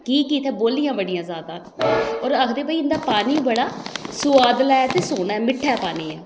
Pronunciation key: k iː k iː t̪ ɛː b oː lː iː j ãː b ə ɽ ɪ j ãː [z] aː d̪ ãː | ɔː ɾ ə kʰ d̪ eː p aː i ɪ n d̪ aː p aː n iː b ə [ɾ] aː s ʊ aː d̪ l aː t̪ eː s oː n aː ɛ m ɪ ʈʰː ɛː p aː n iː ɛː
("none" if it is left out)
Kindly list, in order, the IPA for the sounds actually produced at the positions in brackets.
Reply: z, ɽ

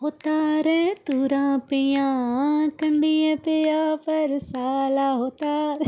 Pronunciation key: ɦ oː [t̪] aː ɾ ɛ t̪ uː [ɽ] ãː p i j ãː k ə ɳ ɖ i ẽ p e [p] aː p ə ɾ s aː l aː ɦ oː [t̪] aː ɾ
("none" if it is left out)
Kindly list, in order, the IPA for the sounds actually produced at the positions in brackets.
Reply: t̪, ɾ, none, t̪

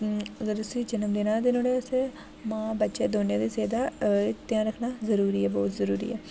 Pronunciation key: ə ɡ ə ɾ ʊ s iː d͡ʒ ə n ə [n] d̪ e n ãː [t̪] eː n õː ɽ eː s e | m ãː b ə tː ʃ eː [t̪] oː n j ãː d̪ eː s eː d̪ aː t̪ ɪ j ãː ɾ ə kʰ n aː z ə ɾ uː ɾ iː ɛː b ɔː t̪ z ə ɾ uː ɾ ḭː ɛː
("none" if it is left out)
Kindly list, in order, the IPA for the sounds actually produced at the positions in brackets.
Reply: m, d̪, d̪

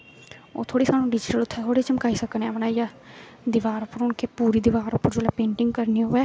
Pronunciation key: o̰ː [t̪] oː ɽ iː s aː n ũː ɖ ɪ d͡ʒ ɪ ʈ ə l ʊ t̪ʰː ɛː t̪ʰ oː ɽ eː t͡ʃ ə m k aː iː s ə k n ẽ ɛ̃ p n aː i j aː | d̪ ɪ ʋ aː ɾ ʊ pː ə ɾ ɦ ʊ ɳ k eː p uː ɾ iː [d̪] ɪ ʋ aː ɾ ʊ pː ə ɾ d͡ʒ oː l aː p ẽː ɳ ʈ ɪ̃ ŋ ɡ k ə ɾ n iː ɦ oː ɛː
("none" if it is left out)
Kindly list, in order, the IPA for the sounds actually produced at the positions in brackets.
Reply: t̪ʰ, d̪

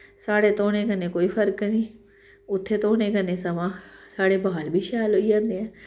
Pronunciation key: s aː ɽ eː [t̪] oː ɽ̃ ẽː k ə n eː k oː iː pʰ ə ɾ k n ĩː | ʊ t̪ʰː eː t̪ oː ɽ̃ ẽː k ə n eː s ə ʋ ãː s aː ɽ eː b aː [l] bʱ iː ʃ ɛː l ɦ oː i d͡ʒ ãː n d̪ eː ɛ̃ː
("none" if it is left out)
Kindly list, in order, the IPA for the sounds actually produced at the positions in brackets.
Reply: t̪, l

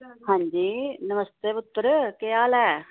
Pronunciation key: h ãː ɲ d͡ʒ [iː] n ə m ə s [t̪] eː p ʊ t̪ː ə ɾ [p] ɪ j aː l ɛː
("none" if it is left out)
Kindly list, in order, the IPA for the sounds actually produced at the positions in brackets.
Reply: iː, t̪, k

